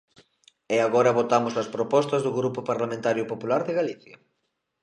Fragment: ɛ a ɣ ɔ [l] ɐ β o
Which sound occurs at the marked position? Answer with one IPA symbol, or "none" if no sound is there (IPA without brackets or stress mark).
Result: ɾ